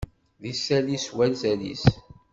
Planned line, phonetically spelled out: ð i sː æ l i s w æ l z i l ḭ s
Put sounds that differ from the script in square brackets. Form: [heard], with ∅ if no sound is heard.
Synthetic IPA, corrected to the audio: ð i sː æ l i s w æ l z [æ] l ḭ s